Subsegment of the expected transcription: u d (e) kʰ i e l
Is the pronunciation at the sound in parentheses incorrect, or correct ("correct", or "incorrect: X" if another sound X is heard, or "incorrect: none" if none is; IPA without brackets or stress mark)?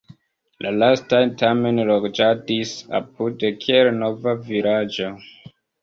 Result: correct